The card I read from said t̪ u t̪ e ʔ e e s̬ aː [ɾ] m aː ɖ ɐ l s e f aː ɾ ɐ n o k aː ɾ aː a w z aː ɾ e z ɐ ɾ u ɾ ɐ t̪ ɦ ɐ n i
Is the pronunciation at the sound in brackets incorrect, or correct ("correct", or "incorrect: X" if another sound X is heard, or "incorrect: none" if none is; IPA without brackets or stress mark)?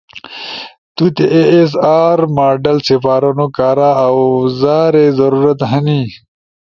correct